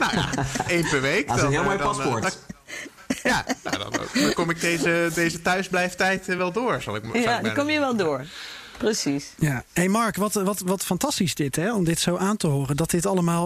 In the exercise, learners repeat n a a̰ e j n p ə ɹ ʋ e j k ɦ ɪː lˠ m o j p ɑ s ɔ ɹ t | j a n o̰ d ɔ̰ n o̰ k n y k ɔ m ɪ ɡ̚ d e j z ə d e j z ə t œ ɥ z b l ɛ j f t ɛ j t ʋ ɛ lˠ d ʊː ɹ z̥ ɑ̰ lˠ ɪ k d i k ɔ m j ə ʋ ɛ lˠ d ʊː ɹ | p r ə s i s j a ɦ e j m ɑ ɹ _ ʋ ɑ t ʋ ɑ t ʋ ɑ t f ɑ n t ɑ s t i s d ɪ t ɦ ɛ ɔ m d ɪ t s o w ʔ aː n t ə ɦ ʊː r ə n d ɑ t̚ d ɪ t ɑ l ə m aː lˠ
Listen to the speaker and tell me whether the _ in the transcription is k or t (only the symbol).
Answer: k